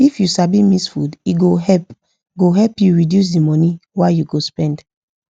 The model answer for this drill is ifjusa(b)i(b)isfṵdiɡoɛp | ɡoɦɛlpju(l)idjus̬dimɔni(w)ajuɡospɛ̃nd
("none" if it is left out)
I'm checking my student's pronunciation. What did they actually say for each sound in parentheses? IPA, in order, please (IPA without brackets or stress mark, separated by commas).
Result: b, m, ɹ, w